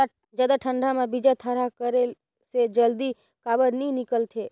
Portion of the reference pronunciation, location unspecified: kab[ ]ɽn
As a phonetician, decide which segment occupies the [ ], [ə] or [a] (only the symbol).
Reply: ə